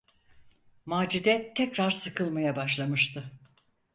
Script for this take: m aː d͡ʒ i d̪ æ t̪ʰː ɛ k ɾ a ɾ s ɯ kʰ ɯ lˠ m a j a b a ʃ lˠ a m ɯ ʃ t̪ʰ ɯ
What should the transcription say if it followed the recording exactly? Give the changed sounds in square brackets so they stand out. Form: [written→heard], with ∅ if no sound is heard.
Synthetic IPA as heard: m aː d͡ʒ i d̪ [æ→ɛ] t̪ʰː ɛ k ɾ a ɾ s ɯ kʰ ɯ lˠ m a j a b a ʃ lˠ a m ɯ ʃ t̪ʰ ɯ